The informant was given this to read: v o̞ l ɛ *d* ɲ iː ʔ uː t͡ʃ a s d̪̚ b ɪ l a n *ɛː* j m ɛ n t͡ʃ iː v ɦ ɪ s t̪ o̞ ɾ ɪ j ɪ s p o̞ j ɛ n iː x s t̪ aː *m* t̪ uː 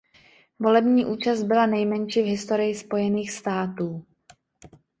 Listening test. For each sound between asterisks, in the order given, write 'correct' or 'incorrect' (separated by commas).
incorrect, incorrect, incorrect